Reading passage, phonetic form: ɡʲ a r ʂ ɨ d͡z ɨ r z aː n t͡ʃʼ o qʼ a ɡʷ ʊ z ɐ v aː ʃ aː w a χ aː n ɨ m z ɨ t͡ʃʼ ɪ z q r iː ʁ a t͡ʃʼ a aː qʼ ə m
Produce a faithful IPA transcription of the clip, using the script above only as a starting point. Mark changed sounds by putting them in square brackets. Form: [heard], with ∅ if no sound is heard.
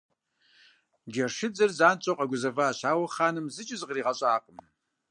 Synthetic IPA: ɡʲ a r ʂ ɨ d͡z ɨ r z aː n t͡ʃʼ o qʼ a ɡʷ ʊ z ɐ v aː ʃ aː w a χ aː n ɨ m z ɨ t͡ʃʼ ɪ z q r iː ʁ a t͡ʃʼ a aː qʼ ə m

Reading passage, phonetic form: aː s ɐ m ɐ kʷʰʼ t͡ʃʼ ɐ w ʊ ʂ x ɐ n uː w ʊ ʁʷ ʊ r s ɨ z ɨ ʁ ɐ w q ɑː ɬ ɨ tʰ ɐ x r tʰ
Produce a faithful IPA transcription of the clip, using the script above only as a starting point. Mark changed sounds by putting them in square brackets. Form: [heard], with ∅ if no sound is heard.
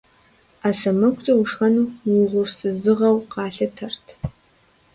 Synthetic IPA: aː s ɐ m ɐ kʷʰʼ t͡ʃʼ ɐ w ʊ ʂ x ɐ n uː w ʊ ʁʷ ʊ r s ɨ z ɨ ʁ ɐ w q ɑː ɬ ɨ tʰ ɐ [∅] r tʰ

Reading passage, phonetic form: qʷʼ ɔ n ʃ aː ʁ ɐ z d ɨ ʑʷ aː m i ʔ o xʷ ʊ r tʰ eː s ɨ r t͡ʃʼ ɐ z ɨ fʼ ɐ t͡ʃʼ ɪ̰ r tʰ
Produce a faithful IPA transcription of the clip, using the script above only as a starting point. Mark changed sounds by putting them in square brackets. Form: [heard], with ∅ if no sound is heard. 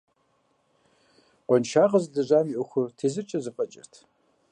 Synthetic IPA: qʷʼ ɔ n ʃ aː ʁ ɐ z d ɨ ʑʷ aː m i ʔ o xʷ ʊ r tʰ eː [z] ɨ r t͡ʃʼ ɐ z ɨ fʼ ɐ t͡ʃʼ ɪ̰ r tʰ

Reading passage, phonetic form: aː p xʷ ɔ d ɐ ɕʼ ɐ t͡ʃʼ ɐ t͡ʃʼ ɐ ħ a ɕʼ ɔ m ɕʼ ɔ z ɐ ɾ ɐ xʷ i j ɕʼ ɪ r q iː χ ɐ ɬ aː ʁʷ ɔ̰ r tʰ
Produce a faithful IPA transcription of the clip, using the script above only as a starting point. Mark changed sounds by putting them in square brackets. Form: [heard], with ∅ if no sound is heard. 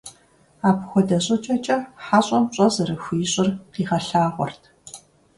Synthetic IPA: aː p xʷ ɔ d ɐ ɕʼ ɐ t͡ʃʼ ɐ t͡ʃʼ ɐ ħ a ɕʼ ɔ m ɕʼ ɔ z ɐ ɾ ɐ xʷ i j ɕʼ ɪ r q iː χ ɐ ɬ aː ʁʷ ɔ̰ r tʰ

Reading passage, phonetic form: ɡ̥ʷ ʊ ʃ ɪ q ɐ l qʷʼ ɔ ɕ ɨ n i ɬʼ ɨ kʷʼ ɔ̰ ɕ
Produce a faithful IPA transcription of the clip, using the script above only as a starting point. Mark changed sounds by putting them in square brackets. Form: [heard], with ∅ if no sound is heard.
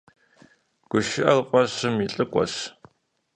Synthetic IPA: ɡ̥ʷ ʊ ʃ ɪ [ʔ] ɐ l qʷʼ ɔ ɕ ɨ [m] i ɬʼ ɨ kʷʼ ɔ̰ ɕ

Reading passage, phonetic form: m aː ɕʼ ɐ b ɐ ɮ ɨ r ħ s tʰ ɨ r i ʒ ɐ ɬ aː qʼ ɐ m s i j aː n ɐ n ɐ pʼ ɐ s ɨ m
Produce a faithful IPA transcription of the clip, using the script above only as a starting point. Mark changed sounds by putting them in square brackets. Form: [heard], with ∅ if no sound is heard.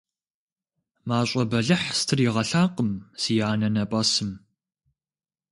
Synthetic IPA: m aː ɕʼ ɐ b ɐ ɮ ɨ [∅] ħ s tʰ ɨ r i [ʁ] ɐ ɬ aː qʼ [ə] m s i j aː n ɐ n ɐ pʼ ɐ s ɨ m

